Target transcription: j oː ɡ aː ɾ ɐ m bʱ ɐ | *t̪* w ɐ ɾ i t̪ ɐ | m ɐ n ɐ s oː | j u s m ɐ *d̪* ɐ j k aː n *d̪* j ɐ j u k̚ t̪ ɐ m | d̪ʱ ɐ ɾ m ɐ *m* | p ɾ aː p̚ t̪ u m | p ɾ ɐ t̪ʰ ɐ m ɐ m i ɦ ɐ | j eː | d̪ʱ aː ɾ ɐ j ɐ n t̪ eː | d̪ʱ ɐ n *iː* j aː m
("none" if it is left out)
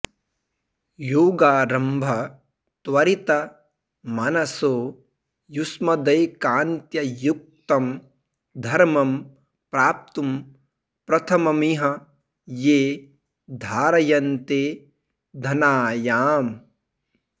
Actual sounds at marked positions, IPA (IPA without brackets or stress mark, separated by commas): t̪, d̪, t̪, m, aː